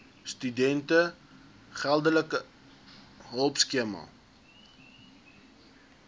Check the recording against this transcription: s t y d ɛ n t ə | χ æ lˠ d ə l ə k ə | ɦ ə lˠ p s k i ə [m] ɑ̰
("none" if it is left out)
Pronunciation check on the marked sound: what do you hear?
m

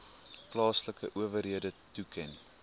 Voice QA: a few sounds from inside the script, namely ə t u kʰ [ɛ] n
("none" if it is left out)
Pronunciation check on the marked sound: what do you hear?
ɛ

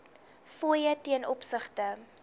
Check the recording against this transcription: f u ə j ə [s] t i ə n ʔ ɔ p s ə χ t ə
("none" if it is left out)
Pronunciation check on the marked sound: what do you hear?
none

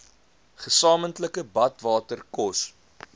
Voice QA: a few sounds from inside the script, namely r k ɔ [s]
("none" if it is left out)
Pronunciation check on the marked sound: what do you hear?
s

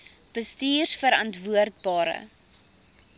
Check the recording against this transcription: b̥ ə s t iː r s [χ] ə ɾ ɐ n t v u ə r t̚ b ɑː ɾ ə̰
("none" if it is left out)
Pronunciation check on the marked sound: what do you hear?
f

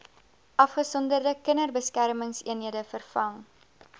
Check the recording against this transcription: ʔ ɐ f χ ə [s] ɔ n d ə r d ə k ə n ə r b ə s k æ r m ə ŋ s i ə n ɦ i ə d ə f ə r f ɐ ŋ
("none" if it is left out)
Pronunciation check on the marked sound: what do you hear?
s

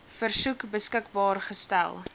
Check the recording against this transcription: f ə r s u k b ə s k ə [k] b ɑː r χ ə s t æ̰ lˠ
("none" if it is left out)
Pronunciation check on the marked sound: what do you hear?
k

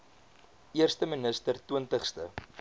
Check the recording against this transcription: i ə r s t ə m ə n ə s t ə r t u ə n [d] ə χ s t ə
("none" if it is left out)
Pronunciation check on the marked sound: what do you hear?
t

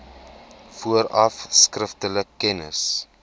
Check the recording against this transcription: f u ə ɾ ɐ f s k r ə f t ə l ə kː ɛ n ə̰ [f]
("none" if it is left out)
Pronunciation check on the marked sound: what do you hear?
s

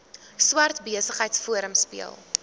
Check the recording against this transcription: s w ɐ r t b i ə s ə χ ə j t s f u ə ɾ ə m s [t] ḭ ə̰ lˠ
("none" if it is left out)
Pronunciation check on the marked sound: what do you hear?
p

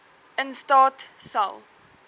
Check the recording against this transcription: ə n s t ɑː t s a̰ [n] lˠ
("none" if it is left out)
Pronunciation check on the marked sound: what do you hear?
none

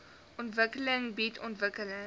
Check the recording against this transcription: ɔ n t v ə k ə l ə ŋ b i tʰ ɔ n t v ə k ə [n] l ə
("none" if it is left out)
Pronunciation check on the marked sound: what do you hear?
none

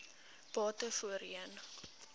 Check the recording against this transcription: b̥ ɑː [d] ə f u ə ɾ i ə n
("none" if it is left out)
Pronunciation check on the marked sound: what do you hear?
t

